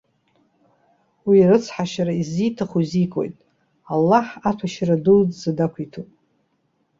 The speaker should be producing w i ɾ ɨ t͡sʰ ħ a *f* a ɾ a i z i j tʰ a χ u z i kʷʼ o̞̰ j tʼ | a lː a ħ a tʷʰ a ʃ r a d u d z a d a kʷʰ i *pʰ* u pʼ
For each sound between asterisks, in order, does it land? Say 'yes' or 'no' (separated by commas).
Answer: no, no